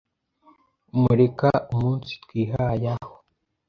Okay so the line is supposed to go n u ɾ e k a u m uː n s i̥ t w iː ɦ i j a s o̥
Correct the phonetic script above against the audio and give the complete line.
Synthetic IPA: m u ɾ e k a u m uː n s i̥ t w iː ɦ a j a h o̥